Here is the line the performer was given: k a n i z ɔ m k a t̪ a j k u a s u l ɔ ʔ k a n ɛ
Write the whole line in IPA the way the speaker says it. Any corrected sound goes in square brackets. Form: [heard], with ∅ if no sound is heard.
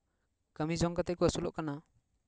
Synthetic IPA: k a [m] i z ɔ [ŋ] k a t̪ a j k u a s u l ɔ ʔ k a n [a]